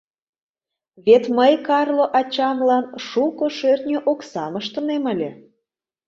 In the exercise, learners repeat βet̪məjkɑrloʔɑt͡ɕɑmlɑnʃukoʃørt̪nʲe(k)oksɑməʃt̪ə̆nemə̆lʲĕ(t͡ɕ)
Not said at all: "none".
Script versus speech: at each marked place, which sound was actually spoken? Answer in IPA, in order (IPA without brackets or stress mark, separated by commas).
ʔ, none